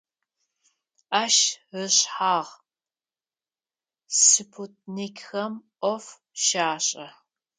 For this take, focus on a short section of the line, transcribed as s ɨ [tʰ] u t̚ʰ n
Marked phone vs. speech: incorrect: pʰ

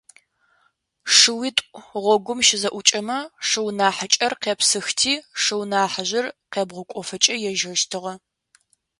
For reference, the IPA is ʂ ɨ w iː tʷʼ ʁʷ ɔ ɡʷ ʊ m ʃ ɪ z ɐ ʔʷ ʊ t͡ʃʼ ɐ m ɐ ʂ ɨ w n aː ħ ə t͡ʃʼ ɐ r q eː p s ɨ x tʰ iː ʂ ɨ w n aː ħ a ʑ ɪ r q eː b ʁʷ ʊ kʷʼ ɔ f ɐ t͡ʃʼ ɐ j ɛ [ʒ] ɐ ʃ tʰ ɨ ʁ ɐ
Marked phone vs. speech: correct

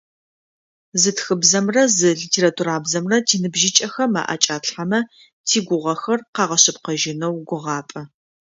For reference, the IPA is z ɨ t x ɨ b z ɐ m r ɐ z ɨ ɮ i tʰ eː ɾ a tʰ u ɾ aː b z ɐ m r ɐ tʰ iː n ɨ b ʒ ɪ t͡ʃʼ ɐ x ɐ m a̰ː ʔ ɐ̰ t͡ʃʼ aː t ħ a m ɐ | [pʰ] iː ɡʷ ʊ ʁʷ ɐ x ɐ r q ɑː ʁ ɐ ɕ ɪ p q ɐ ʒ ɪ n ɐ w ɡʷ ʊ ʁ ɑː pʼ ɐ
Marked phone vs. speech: incorrect: tʰ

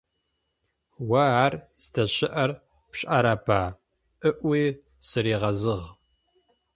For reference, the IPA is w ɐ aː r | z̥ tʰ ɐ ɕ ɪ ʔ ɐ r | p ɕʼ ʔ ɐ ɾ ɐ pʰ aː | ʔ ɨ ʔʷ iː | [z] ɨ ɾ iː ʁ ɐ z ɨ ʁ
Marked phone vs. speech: incorrect: s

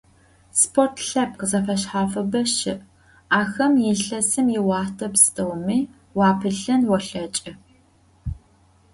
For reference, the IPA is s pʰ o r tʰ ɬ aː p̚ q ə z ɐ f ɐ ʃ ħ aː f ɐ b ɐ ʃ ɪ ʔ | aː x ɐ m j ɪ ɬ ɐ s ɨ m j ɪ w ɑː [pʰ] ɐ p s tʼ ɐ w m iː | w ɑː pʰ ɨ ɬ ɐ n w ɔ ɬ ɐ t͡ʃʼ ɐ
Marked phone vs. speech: incorrect: tʰ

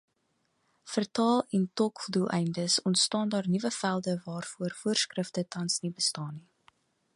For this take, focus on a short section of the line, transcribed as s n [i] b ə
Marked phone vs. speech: correct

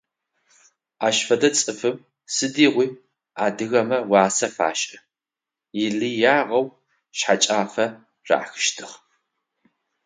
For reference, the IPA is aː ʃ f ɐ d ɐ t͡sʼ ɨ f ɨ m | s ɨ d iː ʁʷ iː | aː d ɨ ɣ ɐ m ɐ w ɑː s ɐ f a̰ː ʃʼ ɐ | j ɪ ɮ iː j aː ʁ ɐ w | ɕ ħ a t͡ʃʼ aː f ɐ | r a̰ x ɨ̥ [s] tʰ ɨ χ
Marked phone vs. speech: incorrect: ʃ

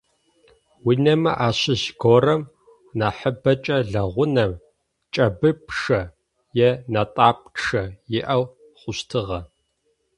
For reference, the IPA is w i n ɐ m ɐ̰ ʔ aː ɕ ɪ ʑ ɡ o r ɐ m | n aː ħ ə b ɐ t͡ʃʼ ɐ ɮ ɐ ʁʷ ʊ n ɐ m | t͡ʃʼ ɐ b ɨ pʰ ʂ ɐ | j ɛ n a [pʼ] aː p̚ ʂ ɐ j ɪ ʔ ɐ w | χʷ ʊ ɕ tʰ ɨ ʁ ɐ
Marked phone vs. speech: incorrect: tʼ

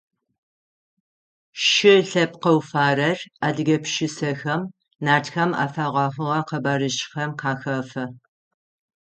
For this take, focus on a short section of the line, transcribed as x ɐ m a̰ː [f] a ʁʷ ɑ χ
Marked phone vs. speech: correct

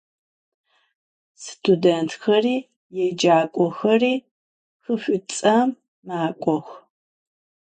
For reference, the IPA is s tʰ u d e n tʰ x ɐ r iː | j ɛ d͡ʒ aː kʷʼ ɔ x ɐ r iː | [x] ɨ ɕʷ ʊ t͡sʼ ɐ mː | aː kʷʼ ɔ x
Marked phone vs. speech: correct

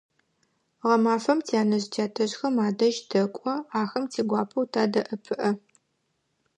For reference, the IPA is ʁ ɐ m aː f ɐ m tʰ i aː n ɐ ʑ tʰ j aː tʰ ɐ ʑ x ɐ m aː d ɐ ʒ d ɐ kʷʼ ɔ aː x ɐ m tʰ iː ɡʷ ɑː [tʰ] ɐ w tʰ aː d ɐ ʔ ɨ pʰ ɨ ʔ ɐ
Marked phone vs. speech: incorrect: pʰ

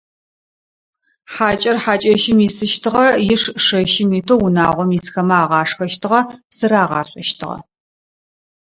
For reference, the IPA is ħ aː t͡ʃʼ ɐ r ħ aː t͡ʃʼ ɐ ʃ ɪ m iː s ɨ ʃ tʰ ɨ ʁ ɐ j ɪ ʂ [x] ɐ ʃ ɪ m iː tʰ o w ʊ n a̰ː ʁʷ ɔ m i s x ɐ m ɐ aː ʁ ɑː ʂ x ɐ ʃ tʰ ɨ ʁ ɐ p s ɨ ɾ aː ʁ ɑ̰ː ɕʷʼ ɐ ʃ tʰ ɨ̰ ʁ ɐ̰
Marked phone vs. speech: incorrect: ʂ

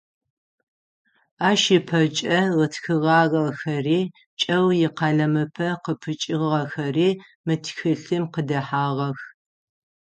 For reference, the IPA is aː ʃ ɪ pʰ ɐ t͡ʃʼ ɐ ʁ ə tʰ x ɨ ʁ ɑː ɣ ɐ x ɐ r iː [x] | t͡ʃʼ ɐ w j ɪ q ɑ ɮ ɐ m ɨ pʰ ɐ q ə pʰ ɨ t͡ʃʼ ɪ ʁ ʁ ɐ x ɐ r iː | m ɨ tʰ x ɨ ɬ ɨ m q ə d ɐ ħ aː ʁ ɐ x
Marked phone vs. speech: incorrect: none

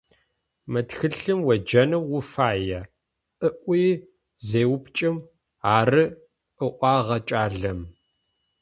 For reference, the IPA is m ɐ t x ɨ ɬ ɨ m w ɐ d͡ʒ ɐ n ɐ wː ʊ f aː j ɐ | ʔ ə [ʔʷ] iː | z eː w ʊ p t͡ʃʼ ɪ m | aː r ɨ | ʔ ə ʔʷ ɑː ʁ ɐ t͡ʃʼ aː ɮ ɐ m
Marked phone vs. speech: correct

